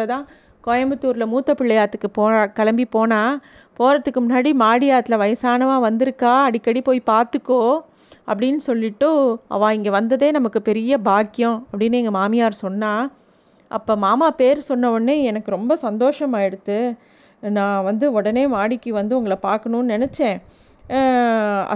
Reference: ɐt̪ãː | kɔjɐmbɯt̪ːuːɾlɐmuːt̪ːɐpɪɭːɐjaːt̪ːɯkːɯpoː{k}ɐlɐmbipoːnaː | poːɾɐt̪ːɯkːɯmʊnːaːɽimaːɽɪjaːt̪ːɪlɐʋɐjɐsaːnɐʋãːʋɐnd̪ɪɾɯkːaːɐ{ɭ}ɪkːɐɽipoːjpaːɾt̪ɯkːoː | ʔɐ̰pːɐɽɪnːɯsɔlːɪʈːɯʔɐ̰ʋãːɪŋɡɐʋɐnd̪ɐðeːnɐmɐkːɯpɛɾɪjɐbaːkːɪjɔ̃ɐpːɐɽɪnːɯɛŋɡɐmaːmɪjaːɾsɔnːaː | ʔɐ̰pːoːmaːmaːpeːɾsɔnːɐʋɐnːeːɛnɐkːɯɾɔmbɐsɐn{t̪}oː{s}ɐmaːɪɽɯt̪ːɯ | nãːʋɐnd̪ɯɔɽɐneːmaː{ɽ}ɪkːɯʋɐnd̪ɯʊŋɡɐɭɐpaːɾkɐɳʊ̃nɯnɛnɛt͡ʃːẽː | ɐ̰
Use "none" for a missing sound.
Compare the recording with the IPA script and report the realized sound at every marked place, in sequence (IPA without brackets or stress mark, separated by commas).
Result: k, ɽ, d̪, ʂ, ɽ